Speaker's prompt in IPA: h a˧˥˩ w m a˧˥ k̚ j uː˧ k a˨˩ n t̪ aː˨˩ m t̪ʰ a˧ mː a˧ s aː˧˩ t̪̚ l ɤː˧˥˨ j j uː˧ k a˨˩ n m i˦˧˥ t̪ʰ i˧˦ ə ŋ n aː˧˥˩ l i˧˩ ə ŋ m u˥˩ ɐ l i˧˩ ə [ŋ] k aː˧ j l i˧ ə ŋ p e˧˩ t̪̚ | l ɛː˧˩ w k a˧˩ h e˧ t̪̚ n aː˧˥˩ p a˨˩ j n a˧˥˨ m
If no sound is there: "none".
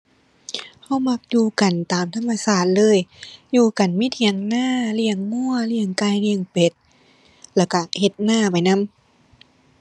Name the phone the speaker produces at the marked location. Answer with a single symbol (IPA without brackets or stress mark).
ŋ